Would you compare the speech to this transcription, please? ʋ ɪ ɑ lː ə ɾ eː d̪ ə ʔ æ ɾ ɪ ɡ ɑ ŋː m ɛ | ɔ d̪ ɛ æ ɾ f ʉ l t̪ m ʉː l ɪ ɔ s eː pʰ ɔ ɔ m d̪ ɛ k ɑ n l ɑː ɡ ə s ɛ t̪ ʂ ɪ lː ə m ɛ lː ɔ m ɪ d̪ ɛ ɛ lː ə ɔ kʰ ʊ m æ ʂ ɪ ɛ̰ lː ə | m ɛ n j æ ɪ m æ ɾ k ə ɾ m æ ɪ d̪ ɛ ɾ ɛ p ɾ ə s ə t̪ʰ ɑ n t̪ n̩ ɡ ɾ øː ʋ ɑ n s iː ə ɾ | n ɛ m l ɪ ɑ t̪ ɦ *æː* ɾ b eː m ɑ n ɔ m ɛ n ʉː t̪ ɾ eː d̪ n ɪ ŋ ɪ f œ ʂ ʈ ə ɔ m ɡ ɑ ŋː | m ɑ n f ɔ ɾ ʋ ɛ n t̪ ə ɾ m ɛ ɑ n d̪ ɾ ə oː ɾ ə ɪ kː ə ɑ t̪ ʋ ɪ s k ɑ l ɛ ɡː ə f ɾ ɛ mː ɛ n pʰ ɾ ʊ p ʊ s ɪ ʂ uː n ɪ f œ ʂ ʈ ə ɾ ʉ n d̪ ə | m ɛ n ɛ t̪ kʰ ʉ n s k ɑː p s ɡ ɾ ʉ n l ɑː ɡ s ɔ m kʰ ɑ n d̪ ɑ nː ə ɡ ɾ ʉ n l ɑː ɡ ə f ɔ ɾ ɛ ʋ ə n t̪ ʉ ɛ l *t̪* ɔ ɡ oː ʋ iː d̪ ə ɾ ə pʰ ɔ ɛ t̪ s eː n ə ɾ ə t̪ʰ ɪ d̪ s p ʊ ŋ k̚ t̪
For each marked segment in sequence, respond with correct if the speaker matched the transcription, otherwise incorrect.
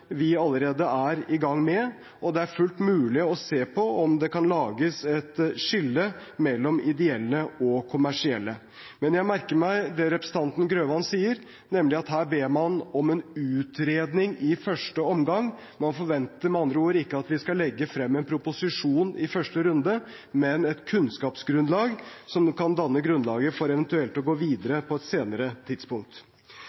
correct, correct

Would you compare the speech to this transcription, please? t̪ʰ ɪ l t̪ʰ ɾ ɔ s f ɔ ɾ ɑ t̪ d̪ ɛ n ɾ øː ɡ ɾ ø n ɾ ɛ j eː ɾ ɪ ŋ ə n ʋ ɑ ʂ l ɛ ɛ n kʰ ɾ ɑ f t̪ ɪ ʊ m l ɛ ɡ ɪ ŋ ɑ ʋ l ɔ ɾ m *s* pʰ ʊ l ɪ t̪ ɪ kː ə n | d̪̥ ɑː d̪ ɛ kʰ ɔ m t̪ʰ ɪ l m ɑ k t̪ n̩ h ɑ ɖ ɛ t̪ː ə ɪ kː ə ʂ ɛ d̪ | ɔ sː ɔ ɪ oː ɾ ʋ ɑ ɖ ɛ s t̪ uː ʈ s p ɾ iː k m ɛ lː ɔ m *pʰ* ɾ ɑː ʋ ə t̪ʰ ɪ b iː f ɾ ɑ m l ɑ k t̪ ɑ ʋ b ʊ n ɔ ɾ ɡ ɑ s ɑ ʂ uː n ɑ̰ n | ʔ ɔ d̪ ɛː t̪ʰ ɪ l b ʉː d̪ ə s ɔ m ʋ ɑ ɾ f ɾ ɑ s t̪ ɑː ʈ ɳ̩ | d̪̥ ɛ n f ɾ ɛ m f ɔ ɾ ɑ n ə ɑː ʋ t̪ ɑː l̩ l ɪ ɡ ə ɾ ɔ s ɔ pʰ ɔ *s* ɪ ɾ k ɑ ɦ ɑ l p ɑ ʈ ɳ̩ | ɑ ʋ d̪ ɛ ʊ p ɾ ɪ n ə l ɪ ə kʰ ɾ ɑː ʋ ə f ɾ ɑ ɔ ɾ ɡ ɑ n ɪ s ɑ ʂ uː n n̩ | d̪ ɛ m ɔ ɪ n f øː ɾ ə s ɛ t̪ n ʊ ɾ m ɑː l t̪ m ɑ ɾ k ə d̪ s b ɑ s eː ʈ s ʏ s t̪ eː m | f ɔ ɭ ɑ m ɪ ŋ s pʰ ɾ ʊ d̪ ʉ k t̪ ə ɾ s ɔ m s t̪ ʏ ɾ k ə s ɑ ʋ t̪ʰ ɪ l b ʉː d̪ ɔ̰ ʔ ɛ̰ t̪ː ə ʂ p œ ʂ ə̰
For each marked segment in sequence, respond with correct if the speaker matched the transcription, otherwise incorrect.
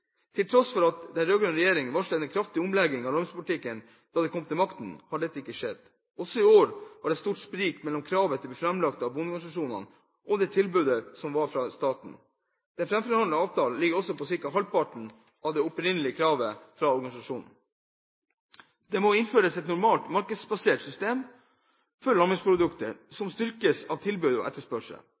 correct, incorrect, correct

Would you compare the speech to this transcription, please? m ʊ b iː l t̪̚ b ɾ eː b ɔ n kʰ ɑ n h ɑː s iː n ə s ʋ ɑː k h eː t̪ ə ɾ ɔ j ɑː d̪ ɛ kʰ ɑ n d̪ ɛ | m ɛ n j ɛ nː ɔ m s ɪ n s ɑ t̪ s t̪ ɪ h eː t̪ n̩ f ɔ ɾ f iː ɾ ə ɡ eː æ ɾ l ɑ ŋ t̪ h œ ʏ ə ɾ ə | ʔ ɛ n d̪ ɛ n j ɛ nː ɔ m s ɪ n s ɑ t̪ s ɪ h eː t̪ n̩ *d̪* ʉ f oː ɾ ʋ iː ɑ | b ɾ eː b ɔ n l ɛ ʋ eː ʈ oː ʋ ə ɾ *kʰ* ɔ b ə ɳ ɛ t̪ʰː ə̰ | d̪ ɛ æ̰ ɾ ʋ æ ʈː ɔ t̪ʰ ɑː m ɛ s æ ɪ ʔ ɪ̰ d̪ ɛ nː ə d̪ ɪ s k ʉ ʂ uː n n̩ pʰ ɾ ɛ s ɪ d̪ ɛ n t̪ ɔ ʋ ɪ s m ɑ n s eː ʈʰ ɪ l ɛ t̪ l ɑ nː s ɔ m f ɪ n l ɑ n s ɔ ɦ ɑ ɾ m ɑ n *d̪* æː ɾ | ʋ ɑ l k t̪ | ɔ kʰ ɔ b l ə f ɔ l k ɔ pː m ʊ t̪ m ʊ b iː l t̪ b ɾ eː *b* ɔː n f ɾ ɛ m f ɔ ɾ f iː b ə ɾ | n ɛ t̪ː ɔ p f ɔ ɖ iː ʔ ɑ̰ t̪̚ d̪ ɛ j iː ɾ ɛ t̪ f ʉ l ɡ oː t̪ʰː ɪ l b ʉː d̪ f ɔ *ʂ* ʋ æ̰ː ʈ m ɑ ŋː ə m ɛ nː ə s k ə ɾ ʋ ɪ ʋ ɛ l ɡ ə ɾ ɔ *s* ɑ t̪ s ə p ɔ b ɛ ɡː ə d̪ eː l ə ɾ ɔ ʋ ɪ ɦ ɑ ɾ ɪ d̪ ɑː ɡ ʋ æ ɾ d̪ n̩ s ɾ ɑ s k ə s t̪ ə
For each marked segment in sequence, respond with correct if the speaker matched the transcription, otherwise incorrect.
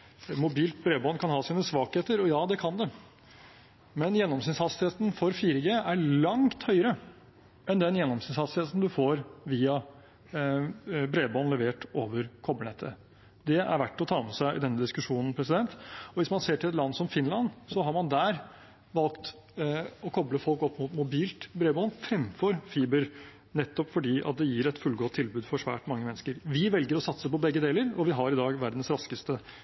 correct, correct, correct, correct, correct, correct

